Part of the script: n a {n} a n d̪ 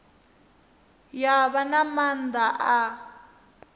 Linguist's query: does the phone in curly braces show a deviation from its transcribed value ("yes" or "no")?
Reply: yes